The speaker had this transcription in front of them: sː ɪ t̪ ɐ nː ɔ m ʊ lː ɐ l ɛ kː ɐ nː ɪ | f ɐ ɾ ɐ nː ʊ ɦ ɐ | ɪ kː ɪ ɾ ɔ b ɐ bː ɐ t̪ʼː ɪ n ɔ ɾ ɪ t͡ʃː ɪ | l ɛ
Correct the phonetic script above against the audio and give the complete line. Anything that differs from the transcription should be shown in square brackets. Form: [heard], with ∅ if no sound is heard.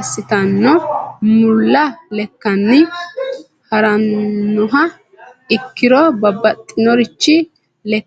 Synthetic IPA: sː ɪ t̪ ɐ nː ɔ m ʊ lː ɐ l ɛ kː ɐ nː ɪ | [h] ɐ ɾ ɐ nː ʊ ɦ ɐ | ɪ kː ɪ ɾ ɔ b ɐ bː ɐ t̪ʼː ɪ n ɔ ɾ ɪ t͡ʃː ɪ | l ɛ